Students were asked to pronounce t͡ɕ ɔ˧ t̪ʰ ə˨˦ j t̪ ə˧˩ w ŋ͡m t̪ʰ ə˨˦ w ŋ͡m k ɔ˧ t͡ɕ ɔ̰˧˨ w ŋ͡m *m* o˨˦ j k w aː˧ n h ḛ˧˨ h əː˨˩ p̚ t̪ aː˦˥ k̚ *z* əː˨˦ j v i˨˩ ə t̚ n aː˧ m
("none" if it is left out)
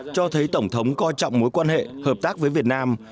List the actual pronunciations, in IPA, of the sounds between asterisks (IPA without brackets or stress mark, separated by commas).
m, v